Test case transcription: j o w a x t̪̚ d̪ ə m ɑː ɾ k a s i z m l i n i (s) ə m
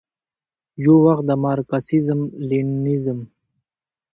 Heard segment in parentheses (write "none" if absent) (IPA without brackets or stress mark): z